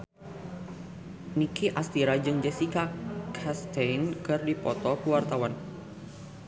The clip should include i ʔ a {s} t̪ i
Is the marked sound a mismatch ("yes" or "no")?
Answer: no